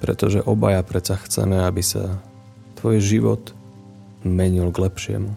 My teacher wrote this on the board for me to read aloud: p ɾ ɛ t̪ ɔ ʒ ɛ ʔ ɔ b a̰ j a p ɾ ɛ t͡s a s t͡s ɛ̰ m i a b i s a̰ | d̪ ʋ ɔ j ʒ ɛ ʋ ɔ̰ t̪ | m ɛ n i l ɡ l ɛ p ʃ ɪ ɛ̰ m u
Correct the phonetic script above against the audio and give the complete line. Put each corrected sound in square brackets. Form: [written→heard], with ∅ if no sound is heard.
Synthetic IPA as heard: p ɾ ɛ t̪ ɔ ʒ ɛ ʔ ɔ b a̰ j a p ɾ ɛ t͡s a [s→x] t͡s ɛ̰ m [i→ɛ] a b i s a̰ | [d̪→t̪] ʋ ɔ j ʒ [ɛ→i] ʋ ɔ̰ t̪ | m ɛ [n→ɲ] i l ɡ l ɛ p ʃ ɪ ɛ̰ m u